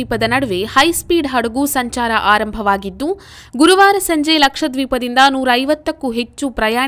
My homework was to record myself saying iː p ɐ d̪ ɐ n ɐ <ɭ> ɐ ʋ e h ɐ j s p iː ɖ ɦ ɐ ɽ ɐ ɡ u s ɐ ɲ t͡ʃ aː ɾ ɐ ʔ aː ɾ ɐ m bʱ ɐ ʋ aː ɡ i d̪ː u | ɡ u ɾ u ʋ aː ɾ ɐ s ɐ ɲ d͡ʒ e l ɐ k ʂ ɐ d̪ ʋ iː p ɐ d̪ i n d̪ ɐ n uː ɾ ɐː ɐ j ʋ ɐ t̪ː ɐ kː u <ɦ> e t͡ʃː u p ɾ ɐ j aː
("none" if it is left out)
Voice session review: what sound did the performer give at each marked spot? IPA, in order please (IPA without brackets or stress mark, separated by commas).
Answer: ɽ, ɦ